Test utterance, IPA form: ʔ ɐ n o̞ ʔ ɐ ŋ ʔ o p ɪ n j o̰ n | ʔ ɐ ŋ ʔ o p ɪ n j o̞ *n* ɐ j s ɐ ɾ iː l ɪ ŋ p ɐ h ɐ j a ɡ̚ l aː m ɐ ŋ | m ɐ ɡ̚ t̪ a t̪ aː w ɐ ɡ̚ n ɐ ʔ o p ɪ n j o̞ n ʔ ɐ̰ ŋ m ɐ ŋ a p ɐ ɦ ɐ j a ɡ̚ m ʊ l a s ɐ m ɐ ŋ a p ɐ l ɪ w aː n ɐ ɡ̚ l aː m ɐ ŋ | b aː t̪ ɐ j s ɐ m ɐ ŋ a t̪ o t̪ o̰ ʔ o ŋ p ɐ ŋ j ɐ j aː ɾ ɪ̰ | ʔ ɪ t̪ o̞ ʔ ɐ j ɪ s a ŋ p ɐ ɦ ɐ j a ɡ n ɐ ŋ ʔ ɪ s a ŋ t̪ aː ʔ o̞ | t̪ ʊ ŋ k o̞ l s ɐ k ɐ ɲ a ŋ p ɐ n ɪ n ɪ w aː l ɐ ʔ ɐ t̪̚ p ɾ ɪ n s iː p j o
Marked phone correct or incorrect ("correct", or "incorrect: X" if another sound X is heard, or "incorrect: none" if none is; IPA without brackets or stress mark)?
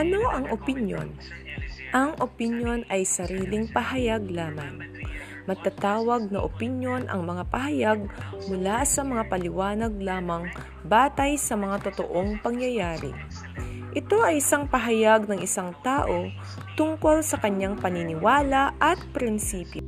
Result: correct